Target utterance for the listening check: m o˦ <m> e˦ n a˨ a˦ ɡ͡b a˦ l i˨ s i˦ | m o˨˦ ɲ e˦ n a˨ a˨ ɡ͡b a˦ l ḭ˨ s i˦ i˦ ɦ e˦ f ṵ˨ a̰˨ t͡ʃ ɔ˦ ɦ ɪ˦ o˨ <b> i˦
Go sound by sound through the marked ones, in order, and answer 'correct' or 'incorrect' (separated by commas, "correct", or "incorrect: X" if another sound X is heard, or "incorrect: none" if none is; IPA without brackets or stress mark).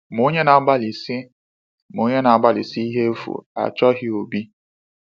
incorrect: ɲ, correct